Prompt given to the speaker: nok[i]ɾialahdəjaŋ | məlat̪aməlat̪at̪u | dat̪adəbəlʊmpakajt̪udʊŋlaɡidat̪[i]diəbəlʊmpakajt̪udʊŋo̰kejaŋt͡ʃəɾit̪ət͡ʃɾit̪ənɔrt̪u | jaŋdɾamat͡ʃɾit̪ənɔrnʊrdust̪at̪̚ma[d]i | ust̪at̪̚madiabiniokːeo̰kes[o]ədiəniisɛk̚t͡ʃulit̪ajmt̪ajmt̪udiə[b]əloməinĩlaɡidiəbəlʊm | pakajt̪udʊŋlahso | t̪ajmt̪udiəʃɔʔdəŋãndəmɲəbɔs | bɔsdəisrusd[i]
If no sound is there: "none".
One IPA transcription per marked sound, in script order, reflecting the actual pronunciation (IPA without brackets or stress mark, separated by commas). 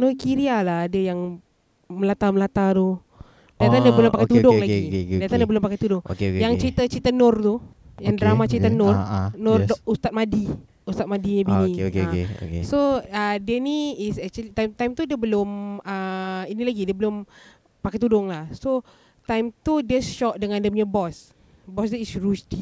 i, a, d, o, b, i